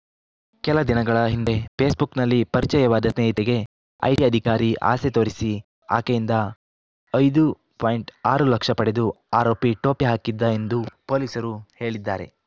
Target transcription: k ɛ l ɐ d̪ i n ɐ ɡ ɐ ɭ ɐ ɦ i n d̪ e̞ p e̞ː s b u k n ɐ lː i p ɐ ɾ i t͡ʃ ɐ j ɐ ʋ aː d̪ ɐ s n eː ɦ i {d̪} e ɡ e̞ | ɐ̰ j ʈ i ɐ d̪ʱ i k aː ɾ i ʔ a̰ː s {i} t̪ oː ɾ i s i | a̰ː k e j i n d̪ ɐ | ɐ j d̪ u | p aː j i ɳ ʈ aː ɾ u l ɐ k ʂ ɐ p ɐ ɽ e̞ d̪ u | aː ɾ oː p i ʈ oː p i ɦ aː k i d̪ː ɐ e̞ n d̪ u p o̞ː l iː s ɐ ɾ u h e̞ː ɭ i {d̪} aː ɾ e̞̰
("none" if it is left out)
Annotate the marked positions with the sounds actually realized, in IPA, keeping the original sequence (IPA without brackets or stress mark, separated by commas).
t̪, e, d̪ː